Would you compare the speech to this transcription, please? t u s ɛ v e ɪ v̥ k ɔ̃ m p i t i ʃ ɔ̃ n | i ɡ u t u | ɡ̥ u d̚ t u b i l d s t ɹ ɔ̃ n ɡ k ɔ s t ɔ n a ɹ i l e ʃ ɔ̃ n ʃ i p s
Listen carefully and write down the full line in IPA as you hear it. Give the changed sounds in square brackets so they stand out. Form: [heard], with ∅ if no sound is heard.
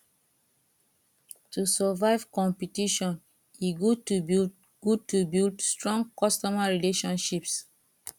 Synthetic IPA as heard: t u s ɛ v [a] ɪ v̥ k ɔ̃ m p i t i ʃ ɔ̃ n | i ɡ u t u | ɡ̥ u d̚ t u b i l d s t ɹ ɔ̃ [ŋ] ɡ k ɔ s t ɔ [m] a ɹ i l e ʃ ɔ̃ n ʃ i p s